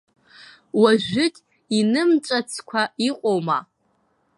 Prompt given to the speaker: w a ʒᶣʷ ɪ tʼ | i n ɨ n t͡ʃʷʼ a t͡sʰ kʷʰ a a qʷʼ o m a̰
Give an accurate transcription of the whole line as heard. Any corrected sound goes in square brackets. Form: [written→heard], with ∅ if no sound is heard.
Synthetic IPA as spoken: w a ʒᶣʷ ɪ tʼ | i n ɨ [n→m] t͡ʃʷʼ a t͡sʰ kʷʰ a [a→i] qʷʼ o m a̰